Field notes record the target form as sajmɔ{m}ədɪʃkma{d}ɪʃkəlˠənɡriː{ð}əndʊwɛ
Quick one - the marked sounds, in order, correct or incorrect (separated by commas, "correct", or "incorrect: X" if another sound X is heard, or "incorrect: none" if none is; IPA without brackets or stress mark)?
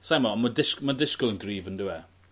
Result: correct, correct, incorrect: v